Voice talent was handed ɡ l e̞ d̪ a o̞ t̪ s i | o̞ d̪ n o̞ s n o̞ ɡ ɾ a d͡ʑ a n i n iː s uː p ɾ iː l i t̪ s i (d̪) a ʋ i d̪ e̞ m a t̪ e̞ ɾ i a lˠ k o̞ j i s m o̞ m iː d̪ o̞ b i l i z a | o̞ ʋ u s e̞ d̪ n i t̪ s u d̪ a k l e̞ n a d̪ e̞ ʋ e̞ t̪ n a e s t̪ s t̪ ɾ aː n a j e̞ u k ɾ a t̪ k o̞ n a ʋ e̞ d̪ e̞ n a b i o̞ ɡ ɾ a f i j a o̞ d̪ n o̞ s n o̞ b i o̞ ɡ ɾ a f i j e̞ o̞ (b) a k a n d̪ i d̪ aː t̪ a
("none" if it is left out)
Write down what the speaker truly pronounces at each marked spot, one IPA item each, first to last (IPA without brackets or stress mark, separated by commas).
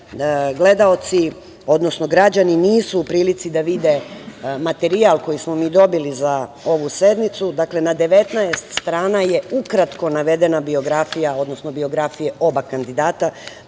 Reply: d̪, b